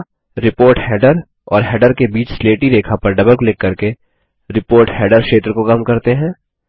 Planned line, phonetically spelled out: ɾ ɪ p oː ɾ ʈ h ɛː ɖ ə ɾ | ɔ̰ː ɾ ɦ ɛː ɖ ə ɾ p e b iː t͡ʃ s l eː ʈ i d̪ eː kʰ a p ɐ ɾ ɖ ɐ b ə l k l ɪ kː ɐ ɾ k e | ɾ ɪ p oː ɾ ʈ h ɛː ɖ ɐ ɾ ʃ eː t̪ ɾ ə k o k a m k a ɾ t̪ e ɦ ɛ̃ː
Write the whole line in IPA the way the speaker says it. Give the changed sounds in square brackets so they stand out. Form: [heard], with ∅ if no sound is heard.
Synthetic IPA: ɾ ɪ p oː ɾ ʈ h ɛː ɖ ə ɾ | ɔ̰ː ɾ ɦ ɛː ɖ ə ɾ [k] e b iː t͡ʃ s l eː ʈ i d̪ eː kʰ a p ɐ ɾ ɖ ɐ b ə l k l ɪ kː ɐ ɾ k e | ɾ ɪ p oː ɾ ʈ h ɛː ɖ [ə] ɾ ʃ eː t̪ ɾ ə k o k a m k [ɐ] ɾ t̪ e ɦ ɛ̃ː